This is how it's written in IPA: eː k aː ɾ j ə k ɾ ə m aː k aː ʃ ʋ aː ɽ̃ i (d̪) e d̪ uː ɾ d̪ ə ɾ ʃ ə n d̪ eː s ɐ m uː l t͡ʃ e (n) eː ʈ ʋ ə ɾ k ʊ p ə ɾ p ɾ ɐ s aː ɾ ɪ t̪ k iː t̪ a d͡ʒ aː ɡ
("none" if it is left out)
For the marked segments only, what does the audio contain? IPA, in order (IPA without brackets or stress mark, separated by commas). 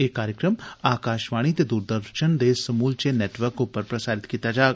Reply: t̪, n